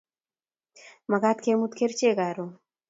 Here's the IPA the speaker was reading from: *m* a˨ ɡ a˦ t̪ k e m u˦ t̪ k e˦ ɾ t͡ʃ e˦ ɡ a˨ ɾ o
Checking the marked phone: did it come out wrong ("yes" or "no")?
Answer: no